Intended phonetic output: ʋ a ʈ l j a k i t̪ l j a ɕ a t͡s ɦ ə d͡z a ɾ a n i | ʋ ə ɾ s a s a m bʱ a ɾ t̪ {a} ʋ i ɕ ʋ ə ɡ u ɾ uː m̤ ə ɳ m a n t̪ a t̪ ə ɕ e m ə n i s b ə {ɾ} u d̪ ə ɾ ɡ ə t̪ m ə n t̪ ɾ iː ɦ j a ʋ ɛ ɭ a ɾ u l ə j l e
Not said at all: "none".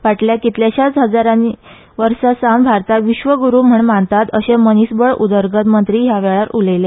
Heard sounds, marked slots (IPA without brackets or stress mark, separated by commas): a, ɭ